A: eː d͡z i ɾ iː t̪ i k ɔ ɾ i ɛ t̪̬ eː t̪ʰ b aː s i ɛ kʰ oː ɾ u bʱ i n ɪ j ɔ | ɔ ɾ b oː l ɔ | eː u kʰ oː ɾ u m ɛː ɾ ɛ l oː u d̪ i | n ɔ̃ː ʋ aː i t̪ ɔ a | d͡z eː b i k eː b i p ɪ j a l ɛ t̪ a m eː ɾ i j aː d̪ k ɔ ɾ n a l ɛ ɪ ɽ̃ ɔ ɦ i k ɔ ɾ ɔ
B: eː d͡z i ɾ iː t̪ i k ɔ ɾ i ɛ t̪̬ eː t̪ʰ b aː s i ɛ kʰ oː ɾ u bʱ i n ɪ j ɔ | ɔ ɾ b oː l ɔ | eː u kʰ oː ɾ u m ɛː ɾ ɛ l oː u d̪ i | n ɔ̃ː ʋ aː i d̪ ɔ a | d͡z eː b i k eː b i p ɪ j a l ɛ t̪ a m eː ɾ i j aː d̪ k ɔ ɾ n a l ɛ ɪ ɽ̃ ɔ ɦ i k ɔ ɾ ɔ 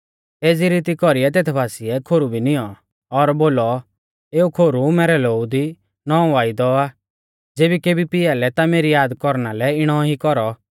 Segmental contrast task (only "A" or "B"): B